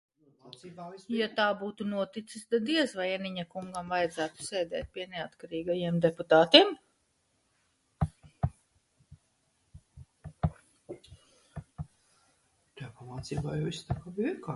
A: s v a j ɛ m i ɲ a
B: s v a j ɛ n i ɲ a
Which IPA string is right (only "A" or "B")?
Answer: B